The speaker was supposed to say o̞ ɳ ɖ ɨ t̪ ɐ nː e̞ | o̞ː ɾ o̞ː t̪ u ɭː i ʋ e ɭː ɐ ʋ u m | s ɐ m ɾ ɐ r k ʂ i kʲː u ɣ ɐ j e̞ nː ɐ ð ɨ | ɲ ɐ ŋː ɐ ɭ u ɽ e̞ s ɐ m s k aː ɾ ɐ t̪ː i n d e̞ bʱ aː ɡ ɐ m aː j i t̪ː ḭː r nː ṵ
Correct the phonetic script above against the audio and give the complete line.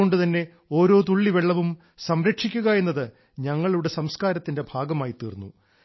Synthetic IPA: o̞ ɳ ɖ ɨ t̪ ɐ nː e̞ | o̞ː ɾ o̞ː t̪ u ɭː i ʋ e ɭː ɐ ʋ u m | s ɐ m ɾ ɐ k ʂ i kʲː u ɣ ɐ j e̞ nː ɐ ð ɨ | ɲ ɐ ŋː ɐ ɭ u ɽ e̞ s ɐ m s k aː ɾ ɐ t̪ː i n d e̞ bʱ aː ɡ ɐ m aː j i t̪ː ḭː r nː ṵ